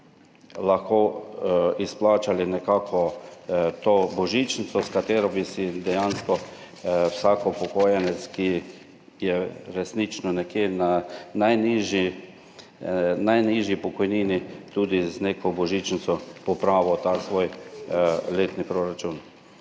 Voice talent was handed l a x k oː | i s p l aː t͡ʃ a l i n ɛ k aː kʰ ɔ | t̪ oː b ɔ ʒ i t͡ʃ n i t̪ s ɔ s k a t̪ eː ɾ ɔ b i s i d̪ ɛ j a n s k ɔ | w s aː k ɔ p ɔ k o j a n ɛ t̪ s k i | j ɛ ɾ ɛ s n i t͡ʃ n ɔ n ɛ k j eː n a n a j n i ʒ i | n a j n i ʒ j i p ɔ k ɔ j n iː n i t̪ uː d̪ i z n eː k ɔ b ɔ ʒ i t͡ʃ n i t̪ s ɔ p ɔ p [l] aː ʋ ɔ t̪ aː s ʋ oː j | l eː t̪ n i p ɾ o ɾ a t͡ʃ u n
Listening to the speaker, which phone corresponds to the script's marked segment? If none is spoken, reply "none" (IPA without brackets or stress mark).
ɾ